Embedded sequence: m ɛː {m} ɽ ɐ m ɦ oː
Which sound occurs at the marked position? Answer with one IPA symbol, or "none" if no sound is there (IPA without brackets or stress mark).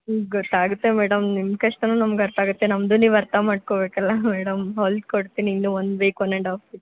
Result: none